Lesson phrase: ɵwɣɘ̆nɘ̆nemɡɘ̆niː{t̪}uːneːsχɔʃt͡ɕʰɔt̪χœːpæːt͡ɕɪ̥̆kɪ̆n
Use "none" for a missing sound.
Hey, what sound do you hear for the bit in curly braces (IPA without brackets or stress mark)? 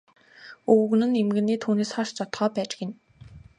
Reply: t̪ʰ